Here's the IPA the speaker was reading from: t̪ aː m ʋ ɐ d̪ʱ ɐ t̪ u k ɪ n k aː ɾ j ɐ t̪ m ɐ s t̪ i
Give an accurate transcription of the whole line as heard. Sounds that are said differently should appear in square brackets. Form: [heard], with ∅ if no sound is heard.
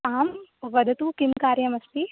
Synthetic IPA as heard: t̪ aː m ʋ ɐ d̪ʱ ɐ t̪ u k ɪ [m] k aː ɾ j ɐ [∅] m ɐ s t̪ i